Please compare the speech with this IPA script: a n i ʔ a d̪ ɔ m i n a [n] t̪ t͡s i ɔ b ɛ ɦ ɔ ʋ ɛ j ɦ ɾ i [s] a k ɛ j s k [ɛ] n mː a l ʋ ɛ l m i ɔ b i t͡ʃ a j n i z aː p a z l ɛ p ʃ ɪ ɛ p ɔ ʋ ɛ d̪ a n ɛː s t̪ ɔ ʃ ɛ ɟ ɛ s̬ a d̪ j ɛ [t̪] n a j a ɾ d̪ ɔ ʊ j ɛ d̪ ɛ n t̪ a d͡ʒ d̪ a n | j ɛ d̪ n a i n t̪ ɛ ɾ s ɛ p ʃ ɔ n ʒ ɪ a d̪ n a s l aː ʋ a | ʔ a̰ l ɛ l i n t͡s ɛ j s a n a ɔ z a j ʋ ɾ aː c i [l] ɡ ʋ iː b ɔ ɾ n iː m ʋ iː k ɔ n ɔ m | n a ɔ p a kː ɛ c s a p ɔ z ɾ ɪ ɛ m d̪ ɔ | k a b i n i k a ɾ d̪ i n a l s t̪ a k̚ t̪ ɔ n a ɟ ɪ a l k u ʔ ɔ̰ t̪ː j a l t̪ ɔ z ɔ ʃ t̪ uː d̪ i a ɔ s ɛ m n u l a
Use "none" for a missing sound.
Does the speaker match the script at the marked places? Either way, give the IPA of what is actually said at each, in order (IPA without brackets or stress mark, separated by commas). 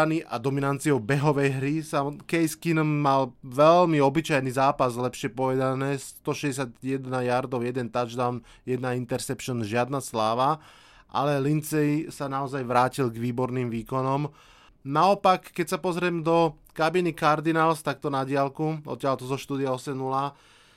n, s, i, d̪, l